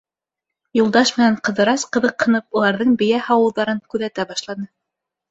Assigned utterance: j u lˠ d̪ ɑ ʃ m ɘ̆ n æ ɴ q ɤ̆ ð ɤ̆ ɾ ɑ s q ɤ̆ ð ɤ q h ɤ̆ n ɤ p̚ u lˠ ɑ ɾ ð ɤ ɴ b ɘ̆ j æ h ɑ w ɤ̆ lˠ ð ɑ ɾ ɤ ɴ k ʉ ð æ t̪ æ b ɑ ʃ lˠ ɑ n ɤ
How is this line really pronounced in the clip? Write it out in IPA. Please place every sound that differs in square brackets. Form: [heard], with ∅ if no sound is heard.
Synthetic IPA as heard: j u lˠ d̪ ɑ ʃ m ɘ̆ n æ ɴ q ɤ̆ ð ɤ̆ ɾ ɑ s q ɤ̆ ð ɤ q h ɤ̆ n ɤ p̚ u lˠ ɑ ɾ ð ɤ ɴ b ɘ̆ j æ h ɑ w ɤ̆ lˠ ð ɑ ɾ ɤ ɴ k ʉ ð æ t̪ æ b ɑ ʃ lˠ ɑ n ɤ